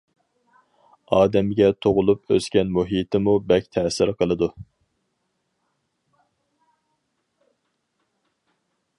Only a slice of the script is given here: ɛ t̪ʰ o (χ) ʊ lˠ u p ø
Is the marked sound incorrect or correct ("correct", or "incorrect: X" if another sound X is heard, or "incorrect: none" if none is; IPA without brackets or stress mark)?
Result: incorrect: ʁ